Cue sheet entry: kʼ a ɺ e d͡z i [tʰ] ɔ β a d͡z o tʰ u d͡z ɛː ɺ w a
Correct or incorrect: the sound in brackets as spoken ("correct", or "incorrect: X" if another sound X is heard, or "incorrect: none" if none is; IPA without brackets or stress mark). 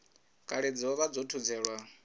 incorrect: none